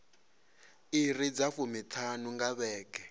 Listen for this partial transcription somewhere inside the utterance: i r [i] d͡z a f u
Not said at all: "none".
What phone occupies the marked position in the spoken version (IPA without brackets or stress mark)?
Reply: i